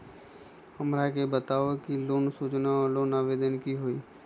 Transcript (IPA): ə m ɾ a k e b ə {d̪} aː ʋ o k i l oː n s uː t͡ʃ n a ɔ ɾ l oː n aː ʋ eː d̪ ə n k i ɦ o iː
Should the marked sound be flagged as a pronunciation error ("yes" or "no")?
yes